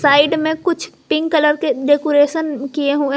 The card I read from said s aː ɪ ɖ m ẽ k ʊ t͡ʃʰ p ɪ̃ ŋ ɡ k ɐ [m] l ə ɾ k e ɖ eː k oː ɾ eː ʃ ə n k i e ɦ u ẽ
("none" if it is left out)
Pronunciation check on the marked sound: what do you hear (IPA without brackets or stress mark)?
none